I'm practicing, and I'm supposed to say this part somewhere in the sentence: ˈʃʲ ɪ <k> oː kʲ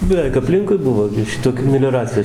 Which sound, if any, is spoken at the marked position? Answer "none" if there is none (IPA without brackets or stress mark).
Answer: t